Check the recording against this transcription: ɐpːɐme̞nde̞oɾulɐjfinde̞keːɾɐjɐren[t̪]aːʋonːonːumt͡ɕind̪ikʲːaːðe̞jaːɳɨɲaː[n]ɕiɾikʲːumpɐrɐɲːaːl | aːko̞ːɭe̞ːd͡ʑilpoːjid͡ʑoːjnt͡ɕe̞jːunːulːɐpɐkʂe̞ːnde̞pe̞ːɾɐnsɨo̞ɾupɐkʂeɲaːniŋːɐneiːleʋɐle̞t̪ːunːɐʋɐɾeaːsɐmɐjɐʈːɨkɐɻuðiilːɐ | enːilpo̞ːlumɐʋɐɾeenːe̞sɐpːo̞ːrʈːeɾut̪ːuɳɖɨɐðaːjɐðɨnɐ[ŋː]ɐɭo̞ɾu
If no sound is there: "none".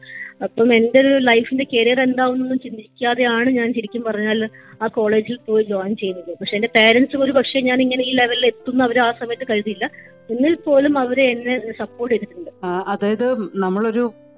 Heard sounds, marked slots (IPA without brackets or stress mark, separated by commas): d̪, n, mː